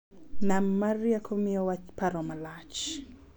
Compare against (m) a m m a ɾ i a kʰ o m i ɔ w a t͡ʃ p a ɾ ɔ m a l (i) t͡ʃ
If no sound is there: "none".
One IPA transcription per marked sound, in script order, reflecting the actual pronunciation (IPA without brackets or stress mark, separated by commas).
n, a